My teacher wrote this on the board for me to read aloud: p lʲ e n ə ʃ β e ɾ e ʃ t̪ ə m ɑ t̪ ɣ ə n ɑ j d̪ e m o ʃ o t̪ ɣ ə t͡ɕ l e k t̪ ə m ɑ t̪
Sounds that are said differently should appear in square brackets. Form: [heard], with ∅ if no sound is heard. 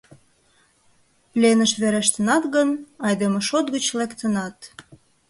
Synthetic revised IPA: p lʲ e n ə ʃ β e ɾ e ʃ t̪ ə [n] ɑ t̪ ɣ ə n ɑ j d̪ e m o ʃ o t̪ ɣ ə t͡ɕ l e k t̪ ə [n] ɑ t̪